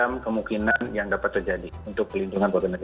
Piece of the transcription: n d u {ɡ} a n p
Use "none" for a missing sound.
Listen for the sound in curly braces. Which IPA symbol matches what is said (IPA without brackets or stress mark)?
ŋ